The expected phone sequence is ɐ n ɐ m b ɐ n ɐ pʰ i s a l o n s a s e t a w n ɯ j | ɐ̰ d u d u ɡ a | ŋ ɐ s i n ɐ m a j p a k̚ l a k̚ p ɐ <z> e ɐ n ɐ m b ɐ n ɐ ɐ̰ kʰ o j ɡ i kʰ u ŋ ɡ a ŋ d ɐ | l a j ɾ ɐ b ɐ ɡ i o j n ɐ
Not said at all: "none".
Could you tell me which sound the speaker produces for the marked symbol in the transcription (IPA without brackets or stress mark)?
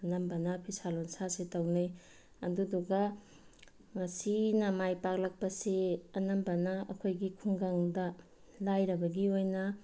s